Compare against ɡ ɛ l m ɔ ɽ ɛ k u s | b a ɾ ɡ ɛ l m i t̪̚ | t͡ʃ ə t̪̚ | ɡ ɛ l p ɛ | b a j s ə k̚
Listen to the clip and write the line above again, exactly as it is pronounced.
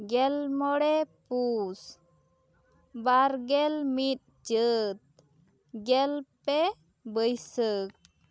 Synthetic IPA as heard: ɡ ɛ l m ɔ ɽ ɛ p u s | b a ɾ ɡ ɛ l m i t̪̚ | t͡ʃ ə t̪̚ | ɡ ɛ l p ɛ | b ə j s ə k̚

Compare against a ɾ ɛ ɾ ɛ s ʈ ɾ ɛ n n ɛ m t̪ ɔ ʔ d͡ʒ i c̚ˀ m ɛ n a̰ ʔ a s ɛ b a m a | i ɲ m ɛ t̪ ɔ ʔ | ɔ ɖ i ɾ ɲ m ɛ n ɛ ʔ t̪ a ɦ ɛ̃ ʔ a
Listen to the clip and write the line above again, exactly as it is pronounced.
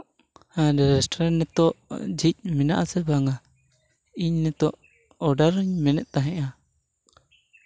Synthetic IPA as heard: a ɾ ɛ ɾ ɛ s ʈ ɾ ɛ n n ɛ t̪ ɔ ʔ d͡ʒ i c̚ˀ m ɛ n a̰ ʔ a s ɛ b a ŋ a | i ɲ n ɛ t̪ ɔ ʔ | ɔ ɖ a ɾ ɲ m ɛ n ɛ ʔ t̪ a ɦ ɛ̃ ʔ a

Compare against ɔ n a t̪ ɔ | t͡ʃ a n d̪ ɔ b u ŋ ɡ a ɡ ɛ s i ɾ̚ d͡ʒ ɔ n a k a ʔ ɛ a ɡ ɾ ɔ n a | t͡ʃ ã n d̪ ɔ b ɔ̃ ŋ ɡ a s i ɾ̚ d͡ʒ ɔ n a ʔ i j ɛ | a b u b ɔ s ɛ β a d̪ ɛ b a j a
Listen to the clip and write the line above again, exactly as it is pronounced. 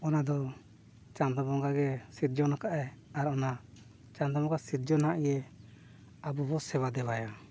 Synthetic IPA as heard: ɔ n a d̪ ɔ | t͡ʃ a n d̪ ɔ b ɔ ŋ ɡ a ɡ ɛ s i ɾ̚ d͡ʒ ɔ n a k a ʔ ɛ a ɾ ɔ n a | t͡ʃ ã n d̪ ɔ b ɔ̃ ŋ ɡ a s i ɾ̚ d͡ʒ ɔ n a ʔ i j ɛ | a b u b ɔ s ɛ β a d̪ ɛ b a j a

